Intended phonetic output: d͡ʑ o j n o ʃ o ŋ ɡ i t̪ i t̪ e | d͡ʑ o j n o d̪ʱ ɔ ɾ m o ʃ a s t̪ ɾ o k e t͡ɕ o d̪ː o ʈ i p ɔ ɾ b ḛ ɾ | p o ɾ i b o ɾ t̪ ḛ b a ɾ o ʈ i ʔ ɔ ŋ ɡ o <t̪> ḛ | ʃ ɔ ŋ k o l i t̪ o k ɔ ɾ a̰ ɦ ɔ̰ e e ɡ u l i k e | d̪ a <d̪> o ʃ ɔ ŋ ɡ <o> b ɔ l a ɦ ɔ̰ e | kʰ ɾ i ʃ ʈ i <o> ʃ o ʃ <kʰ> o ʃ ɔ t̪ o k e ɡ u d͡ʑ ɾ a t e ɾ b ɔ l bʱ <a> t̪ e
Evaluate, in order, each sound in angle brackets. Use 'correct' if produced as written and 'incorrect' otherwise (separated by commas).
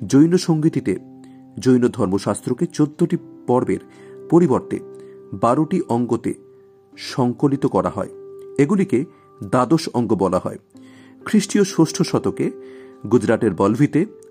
correct, correct, correct, correct, incorrect, incorrect